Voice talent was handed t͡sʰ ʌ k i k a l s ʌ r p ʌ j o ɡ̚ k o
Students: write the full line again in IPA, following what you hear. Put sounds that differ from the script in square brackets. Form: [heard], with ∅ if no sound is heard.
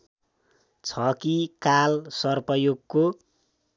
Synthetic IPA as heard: t͡sʰ ʌ k i k a l s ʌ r p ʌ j o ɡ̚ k o